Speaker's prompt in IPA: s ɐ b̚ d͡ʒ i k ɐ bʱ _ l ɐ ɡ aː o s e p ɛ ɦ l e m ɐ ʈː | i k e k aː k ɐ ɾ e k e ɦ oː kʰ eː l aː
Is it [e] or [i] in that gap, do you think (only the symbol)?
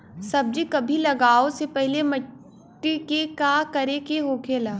i